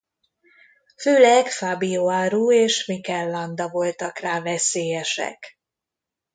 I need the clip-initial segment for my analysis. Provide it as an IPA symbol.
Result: f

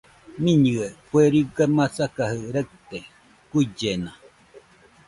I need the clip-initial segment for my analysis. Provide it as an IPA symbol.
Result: m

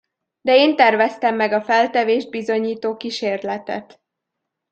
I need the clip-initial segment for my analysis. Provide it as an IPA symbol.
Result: d̪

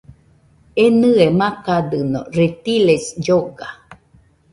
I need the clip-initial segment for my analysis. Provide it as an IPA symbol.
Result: e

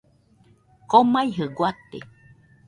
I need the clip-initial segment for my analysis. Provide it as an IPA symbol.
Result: k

